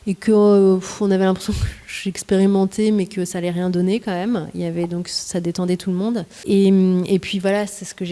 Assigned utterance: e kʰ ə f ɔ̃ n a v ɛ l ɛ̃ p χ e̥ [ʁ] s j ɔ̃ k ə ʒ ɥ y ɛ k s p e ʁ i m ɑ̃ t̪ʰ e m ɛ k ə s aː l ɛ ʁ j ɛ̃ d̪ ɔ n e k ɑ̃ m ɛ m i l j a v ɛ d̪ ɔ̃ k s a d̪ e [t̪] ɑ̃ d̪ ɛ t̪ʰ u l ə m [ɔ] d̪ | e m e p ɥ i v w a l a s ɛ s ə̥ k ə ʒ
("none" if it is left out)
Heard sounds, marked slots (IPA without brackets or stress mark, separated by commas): none, t̪, ɔ̃